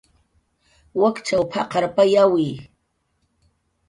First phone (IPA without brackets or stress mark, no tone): w